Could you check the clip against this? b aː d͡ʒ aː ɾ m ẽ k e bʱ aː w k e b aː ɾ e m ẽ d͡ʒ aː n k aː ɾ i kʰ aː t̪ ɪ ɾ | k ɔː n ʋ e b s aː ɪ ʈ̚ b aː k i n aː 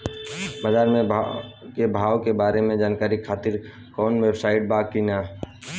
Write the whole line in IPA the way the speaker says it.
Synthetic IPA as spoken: b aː d͡ʒ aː ɾ m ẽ k e bʱ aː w k e b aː ɾ e m ẽ d͡ʒ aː n k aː ɾ i kʰ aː t̪ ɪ ɾ | k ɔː n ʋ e b s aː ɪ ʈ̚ b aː k i n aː